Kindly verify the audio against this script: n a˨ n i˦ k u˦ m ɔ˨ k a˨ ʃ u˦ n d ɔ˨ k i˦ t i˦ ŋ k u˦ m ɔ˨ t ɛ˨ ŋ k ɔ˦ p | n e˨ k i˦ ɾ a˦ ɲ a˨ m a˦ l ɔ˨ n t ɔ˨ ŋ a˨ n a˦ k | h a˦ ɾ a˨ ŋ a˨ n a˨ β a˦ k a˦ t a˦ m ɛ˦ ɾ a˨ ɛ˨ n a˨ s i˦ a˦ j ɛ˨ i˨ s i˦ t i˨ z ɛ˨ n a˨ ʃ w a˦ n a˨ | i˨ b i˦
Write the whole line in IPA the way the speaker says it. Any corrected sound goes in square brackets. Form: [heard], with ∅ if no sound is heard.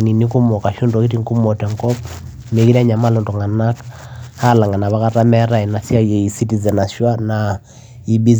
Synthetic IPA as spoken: n [i˨] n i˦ k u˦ m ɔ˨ k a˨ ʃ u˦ n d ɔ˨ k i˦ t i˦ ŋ k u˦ m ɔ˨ t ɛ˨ ŋ k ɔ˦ p | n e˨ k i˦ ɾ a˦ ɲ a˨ m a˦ l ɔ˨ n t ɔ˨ ŋ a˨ n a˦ k | h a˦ [l] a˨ ŋ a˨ n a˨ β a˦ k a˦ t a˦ m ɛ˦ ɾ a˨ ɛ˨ n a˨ s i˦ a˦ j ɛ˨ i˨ s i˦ t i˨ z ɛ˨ n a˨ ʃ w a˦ n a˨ | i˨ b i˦